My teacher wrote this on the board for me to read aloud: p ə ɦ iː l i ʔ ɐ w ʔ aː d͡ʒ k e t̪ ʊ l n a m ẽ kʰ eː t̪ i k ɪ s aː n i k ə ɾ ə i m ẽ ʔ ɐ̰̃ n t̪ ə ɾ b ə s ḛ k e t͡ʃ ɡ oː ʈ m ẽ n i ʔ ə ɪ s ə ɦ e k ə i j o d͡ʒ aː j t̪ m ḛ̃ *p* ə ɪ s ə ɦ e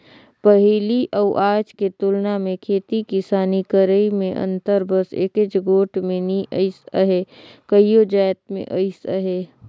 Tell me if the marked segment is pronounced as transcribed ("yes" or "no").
no